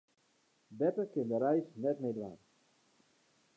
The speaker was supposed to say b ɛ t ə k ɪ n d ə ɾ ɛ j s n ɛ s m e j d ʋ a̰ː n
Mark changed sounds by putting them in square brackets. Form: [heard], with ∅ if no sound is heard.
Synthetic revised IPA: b ɛ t ə k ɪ n d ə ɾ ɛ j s n ɛ [t] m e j d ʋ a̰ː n